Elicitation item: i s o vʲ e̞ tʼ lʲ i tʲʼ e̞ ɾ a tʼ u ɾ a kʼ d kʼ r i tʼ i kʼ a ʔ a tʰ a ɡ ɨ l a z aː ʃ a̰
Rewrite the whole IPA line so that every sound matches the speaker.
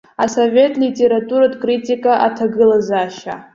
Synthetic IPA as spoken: a s o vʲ e̞ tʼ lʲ i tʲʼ e̞ ɾ a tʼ u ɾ a d kʼ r i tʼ i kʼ a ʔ a tʰ a ɡ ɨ l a z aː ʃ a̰

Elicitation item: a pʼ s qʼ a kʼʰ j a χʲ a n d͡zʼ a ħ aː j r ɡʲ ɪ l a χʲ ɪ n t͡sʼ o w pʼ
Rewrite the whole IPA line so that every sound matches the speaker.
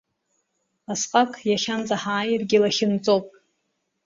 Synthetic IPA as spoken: a s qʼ a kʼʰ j a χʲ a n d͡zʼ a ħ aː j r ɡʲ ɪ l a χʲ ɪ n t͡sʼ o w pʼ

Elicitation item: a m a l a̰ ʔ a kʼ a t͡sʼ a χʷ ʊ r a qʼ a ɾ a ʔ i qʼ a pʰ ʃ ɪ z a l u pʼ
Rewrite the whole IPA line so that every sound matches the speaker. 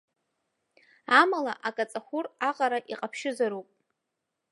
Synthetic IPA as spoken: a m a l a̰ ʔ a kʼ a t͡sʼ a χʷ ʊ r a qʼ a ɾ a ʔ i qʼ a pʰ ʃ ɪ z a ɾ u pʼ

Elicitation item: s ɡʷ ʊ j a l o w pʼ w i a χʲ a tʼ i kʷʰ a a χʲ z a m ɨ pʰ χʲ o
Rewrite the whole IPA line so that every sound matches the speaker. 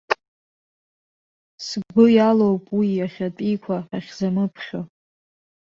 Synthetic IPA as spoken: s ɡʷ ʊ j a l o w pʼ w i a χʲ a tʼ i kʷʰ a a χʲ z a m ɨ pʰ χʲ o

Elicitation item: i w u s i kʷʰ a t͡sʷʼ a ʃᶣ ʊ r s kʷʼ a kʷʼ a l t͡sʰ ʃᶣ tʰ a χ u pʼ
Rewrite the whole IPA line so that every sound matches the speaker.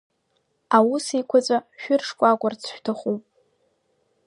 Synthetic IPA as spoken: a w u s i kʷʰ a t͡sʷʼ a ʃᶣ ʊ r ʂ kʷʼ a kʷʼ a r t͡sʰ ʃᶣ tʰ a χ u pʼ

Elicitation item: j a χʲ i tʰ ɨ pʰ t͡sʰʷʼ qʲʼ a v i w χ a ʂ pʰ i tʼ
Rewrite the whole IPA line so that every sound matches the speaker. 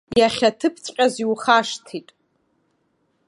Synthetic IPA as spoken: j a χʲ a tʰ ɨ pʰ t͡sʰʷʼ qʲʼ a z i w χ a ʂ tʰ i tʼ

